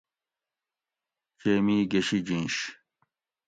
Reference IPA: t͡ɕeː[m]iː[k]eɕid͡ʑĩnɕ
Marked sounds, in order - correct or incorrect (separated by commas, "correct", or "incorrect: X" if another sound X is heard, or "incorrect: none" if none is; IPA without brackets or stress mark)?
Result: correct, incorrect: ɡ